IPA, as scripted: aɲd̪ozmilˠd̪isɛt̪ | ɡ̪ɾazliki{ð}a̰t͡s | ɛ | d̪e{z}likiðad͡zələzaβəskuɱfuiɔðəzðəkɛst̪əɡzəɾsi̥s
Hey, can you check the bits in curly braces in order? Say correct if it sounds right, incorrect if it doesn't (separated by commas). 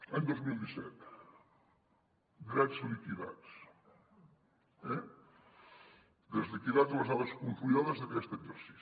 correct, correct